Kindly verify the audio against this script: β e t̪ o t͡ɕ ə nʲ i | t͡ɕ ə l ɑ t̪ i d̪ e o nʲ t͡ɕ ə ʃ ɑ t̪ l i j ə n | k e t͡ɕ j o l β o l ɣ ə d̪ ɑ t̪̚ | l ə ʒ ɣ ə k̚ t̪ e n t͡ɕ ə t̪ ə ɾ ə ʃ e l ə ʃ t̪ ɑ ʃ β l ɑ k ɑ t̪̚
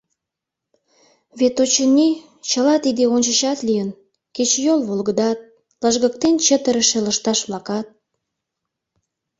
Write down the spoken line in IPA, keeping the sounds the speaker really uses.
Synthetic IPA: β e t̪ o t͡ɕ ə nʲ i | t͡ɕ ə l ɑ t̪ i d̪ e o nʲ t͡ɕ ə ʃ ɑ t̪ l i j ə n | k e t͡ɕ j o l β o l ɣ ə d̪ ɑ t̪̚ | l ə ʒ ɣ ə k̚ t̪ e n t͡ɕ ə t̪ ə ɾ ə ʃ e l ə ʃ t̪ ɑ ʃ β l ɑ k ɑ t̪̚